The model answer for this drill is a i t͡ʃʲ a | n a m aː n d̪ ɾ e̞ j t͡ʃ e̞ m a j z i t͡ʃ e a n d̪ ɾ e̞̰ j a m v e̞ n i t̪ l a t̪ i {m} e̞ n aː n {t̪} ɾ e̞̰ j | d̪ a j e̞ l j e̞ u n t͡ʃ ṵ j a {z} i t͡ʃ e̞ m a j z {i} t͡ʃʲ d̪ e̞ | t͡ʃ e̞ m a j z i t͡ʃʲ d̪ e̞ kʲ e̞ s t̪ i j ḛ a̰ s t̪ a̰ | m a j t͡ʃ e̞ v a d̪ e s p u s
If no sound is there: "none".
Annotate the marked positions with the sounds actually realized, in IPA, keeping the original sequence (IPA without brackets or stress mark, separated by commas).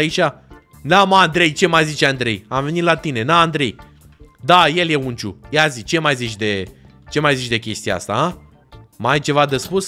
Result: n, d̪, z, i